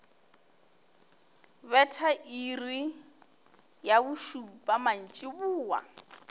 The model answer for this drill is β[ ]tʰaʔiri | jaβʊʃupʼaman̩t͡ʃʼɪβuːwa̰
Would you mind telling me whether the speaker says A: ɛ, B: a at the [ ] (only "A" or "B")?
A